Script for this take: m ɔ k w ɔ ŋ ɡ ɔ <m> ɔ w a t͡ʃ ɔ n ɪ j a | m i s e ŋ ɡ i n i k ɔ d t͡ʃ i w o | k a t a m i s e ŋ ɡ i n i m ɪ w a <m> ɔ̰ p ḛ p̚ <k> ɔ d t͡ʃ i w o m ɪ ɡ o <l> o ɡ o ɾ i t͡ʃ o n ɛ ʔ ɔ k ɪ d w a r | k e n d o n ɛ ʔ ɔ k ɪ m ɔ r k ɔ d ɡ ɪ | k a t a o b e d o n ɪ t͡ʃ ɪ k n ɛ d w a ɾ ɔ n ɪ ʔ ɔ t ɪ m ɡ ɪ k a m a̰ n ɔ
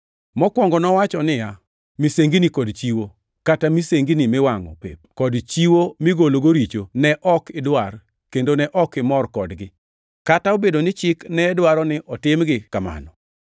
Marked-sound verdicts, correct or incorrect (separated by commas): incorrect, incorrect, correct, correct